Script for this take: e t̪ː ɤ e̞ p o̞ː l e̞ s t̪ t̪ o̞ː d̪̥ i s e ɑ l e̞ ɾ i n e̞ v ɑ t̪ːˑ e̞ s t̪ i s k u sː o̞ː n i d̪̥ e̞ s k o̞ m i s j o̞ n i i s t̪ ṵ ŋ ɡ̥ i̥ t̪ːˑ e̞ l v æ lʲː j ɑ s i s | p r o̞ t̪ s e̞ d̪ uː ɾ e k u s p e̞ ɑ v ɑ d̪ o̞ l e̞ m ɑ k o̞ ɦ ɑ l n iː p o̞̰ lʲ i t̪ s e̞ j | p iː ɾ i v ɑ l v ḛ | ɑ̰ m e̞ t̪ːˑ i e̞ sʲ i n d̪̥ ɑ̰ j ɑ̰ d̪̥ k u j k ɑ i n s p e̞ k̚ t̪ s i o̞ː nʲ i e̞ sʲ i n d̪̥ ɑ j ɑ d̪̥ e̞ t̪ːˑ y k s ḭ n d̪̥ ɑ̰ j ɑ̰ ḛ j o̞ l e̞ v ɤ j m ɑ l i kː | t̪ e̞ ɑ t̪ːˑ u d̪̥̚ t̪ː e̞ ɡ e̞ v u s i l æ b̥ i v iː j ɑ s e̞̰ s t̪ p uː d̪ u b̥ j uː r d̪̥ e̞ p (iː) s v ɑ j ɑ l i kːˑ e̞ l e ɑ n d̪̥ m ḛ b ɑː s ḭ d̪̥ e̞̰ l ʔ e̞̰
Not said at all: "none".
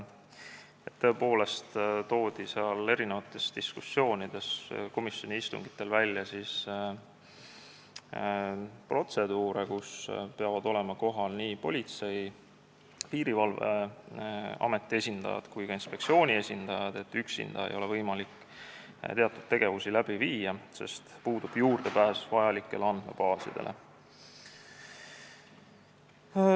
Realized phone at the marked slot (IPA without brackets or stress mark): æː